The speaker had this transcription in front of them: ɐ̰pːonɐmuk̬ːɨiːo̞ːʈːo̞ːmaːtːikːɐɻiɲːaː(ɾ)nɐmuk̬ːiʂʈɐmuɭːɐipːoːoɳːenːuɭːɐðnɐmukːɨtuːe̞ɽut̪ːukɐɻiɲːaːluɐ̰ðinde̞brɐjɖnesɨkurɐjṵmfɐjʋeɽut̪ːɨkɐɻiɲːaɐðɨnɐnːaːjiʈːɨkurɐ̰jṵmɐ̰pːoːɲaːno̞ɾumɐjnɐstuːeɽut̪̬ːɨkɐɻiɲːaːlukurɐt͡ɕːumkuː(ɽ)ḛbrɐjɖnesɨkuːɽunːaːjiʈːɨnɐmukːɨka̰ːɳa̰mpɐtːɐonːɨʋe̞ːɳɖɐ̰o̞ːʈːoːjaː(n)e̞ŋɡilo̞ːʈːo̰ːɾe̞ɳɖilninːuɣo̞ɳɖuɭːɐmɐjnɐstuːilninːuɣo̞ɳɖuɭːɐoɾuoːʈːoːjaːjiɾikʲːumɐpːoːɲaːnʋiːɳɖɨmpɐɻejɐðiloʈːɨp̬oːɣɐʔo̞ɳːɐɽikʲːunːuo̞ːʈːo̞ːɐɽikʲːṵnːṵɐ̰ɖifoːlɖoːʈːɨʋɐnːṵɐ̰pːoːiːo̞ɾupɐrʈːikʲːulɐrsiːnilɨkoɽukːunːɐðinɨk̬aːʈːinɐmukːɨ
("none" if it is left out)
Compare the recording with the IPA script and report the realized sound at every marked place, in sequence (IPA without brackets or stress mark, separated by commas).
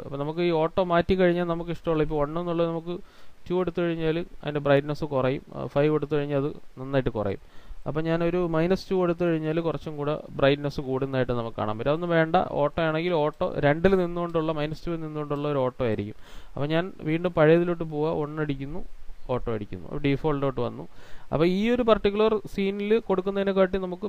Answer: l, ɽ, ɳ